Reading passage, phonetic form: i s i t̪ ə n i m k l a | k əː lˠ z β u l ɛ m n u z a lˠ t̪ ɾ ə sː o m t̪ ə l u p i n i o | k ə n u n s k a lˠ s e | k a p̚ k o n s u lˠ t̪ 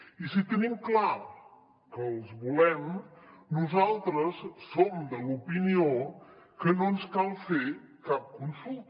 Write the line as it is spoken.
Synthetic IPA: i s i t̪ ə n i m k l a | k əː lˠ z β u l ɛ m n u z a lˠ t̪ ɾ ə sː o m d̪ ə l u p i n i o | k ə n o n s k a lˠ f e | k a p̚ k u n s u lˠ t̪

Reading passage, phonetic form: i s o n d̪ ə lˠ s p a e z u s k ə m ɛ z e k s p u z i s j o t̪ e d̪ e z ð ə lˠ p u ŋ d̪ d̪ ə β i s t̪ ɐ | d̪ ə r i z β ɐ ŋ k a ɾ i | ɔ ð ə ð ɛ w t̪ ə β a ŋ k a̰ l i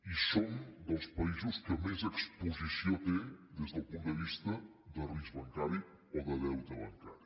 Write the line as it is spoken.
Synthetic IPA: i s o n d̪ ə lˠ s p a i z u s k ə m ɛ z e k s p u z i s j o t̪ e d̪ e z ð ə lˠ p u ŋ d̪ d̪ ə β i s t̪ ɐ | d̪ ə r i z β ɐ ŋ k a ɾ i | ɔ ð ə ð ɛ w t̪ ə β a ŋ k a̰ ɾ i

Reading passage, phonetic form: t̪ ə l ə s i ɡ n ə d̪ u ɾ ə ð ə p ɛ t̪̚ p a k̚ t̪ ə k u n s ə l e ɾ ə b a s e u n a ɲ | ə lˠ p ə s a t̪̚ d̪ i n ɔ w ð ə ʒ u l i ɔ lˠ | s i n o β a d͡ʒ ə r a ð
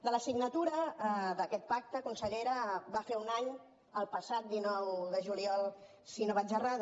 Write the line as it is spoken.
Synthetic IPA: d̪ ə l ə s i ɡ n ə t̪ u ɾ ə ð ə k ɛ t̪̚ p a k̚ t̪ ə k u n s ə ʎ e ɾ ə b a f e u n a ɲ | ə lˠ p ə s a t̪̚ d̪ i n ɔ w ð ə ʒ u l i ɔ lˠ | s i n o β a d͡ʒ ə r a ð

